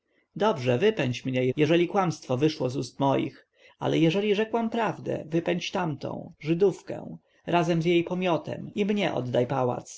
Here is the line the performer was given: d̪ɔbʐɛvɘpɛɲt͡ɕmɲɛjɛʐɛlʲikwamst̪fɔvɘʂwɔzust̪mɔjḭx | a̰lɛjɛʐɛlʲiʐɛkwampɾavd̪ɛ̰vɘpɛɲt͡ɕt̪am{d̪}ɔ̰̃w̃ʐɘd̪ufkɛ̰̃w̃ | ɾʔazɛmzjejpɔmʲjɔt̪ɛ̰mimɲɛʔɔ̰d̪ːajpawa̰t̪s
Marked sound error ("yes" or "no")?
yes